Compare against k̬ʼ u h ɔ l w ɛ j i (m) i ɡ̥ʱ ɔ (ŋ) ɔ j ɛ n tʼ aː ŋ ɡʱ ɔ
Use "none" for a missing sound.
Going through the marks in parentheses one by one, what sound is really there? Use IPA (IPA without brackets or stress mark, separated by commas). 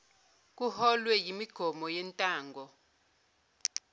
m, m